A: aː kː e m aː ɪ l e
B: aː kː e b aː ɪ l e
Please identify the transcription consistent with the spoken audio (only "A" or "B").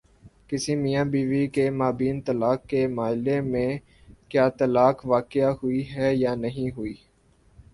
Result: A